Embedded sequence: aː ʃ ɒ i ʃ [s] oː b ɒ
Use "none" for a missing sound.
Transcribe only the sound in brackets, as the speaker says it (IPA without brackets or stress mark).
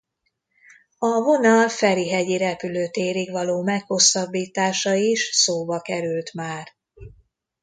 s